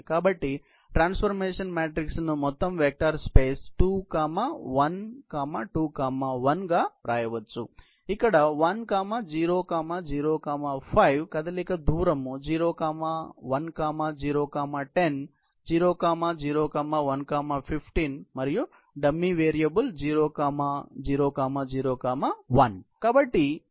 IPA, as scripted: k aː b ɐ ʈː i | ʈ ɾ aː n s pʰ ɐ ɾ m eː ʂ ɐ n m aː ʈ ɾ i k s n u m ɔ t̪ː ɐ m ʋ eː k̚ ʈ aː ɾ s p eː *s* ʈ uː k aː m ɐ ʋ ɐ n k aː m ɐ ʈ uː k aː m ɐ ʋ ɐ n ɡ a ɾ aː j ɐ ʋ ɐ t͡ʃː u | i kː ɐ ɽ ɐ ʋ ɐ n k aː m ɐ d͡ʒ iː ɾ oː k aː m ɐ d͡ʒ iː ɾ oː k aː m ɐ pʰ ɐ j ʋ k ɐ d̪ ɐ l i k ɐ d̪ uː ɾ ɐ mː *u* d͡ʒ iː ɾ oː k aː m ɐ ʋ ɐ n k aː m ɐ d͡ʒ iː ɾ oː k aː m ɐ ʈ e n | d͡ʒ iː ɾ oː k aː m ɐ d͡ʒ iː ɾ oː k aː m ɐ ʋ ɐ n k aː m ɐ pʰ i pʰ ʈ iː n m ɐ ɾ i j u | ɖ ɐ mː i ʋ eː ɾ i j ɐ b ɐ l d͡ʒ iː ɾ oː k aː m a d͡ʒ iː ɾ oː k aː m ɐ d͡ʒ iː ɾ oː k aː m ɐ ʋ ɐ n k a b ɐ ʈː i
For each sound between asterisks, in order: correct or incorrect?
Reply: correct, correct

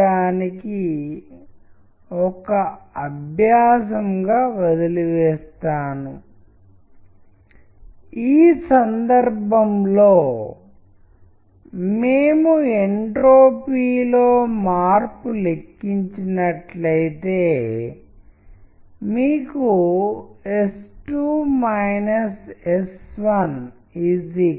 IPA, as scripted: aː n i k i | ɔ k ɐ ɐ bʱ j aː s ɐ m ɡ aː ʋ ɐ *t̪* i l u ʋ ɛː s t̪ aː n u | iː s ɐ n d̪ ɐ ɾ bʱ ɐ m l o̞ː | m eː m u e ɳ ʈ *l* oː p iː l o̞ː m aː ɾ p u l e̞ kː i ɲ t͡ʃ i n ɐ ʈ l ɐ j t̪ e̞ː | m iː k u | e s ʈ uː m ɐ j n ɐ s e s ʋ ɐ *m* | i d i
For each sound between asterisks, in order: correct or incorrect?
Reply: incorrect, incorrect, incorrect

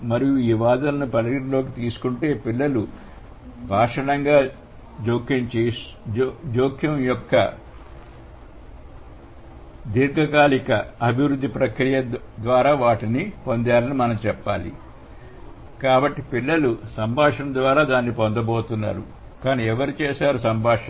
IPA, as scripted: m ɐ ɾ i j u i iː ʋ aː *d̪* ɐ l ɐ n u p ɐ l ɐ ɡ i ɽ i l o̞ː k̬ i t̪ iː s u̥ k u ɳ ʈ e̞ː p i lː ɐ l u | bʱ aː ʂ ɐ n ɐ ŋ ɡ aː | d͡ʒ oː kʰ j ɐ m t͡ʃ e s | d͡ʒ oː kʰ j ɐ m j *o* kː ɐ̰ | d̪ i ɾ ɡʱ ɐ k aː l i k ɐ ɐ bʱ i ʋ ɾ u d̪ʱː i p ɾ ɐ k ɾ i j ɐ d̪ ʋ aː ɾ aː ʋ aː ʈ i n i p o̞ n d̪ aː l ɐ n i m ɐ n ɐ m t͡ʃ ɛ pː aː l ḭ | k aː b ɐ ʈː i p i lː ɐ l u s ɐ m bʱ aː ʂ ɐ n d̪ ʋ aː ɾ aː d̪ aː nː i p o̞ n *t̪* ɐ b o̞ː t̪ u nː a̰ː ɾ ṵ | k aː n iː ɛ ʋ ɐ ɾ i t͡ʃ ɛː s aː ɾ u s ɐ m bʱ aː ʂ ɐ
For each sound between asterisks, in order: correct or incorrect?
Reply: correct, incorrect, incorrect

